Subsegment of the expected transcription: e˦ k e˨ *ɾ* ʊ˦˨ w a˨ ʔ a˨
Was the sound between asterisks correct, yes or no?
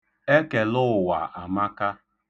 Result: no